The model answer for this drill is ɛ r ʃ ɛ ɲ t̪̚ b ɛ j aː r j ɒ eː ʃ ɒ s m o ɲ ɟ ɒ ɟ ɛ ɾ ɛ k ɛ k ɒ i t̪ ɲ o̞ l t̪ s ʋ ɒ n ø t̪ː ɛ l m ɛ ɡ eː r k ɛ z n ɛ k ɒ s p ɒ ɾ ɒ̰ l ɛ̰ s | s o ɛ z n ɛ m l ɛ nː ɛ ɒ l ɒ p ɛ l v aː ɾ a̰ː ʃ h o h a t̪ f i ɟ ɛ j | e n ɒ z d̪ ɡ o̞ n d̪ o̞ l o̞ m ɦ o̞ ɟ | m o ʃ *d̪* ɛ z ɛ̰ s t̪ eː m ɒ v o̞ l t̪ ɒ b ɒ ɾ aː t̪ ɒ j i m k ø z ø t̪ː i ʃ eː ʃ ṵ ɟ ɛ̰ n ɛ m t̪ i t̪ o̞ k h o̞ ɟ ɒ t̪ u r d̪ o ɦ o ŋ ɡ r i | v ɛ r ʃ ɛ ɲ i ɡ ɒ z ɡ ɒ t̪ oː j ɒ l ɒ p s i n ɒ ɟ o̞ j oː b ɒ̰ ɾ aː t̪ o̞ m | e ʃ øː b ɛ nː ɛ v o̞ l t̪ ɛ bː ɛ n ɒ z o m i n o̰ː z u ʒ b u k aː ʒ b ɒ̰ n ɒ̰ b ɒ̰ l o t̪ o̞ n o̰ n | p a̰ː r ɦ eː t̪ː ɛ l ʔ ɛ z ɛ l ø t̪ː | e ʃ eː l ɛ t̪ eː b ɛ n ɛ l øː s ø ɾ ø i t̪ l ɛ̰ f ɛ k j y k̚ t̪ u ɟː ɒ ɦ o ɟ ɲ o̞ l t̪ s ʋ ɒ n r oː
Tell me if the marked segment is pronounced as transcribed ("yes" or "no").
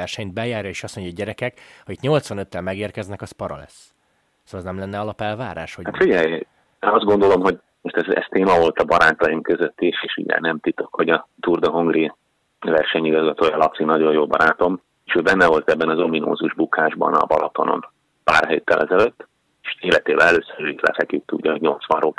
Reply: no